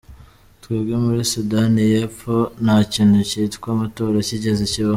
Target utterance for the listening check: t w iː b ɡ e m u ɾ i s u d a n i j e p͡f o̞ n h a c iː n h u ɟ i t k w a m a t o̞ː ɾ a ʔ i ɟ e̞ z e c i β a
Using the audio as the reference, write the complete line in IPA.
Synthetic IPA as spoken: t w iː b ɡ e m u ɾ i s u d a n i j e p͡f o̞ n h a c iː n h u c i t k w a m a t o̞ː ɾ a c i ɟ e̞ z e c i β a